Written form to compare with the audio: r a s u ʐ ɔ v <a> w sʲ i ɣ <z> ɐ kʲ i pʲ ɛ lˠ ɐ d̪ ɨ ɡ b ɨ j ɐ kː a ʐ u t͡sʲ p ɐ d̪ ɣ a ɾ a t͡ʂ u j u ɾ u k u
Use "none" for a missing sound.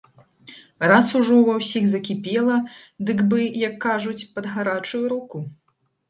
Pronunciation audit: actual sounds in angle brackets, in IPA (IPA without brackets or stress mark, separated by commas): ɐ, z